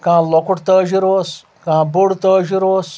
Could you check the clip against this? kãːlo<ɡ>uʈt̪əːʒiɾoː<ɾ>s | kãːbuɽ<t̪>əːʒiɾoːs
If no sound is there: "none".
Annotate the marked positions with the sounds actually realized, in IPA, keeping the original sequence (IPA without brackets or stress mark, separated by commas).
k, none, t̪